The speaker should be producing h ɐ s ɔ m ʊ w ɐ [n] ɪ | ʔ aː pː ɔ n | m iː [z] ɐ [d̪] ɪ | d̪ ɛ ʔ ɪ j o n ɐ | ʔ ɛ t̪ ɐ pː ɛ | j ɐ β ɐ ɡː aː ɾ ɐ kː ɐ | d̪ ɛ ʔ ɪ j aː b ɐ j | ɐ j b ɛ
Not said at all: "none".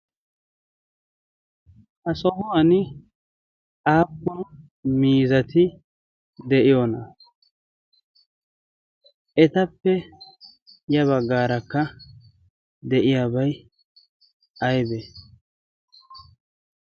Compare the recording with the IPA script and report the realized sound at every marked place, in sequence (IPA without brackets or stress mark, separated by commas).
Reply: n, z, t̪